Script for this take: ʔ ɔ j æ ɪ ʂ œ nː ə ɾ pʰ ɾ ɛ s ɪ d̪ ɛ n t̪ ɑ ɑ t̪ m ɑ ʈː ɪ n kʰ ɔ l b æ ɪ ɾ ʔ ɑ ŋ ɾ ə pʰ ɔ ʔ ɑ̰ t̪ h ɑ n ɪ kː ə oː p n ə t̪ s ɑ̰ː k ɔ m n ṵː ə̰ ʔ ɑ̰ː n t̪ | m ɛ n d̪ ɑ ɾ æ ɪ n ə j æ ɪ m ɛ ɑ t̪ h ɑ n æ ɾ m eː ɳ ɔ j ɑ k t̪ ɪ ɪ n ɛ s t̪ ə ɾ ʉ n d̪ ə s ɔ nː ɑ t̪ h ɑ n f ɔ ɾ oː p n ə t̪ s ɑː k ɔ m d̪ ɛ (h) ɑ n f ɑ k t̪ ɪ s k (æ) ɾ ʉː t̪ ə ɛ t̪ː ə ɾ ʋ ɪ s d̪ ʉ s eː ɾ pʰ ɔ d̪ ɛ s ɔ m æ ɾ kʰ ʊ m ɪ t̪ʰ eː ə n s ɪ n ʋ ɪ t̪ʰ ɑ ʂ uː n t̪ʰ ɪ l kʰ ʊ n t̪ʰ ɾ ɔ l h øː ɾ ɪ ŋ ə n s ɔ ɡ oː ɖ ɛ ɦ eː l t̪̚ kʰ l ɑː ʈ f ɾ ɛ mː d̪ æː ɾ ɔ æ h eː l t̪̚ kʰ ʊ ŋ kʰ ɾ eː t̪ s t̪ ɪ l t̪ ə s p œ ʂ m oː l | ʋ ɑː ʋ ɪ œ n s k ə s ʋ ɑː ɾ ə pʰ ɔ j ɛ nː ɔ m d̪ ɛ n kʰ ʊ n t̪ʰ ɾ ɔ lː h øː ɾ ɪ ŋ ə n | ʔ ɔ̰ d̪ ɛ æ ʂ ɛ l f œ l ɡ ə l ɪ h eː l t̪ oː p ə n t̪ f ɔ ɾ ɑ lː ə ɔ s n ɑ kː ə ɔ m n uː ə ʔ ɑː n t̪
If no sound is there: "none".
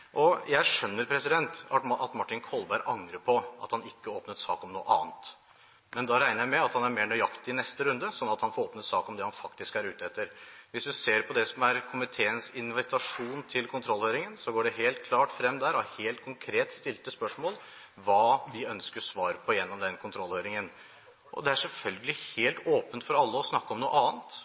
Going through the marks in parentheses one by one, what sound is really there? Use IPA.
h, æ

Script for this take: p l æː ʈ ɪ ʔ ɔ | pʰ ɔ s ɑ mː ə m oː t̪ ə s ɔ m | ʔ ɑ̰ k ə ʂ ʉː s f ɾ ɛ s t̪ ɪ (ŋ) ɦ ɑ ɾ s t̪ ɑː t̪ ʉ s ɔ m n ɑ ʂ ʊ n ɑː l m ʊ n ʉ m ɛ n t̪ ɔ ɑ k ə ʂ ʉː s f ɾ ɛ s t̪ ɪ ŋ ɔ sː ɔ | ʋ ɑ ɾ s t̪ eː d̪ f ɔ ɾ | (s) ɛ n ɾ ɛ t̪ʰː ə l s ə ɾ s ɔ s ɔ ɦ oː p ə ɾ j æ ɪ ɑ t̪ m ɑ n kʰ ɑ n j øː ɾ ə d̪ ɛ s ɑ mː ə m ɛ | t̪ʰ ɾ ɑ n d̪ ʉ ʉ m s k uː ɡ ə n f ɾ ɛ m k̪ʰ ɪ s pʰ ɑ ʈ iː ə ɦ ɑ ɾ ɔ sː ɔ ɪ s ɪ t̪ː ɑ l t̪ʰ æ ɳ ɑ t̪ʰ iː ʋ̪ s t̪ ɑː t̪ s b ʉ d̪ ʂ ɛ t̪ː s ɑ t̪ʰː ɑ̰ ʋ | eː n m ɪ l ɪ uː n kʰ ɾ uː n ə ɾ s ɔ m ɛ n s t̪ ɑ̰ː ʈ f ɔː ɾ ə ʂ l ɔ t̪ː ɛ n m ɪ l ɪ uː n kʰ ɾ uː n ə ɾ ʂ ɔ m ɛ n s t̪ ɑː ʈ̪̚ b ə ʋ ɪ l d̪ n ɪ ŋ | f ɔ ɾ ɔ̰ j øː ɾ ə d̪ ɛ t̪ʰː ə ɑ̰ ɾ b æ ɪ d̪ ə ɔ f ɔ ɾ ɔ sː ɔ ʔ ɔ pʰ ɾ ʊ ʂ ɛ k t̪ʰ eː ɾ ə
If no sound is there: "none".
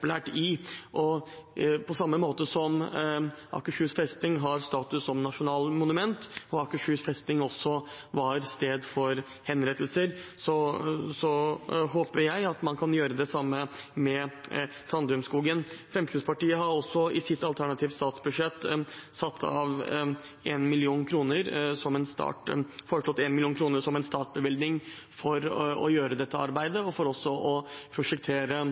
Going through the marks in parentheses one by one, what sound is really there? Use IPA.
ŋ, h

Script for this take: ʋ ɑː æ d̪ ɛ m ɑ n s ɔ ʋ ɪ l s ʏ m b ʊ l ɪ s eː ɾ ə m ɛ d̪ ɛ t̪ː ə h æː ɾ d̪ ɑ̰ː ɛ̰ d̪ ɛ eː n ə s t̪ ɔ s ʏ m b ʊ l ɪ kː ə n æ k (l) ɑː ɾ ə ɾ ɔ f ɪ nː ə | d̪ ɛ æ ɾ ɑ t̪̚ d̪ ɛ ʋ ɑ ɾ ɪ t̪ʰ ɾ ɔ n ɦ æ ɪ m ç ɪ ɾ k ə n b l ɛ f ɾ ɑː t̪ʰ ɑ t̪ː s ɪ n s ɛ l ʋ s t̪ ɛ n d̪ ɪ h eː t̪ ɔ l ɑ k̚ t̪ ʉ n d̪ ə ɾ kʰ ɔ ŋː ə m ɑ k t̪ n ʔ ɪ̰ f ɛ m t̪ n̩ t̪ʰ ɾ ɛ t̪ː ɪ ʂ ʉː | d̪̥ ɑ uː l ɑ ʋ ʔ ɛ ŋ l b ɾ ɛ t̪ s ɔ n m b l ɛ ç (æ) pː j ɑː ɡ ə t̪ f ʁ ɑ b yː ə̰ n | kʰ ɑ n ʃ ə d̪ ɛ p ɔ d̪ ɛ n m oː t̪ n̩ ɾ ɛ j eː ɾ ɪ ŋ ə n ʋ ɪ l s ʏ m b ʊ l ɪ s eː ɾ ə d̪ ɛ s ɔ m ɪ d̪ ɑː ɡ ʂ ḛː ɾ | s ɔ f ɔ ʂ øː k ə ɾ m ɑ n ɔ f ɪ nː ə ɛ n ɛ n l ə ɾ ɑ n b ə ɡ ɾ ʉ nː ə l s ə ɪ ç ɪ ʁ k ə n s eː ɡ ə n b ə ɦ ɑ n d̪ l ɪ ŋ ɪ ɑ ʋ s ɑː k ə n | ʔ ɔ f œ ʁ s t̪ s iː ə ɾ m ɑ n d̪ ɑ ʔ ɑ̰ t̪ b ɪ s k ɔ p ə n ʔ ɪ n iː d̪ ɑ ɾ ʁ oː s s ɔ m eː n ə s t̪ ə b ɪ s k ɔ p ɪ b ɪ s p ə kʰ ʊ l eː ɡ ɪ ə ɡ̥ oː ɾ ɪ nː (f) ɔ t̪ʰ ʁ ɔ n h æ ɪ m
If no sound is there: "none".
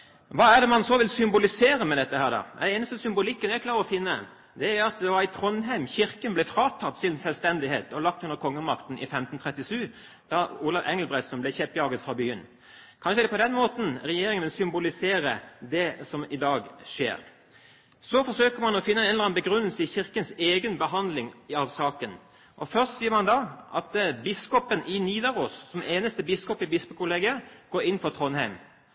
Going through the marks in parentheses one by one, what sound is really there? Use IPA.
l, ɛ, f

